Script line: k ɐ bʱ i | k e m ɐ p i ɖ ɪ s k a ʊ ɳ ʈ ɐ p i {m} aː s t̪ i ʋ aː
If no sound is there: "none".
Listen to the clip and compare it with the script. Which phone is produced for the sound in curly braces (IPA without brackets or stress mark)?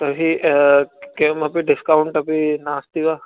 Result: n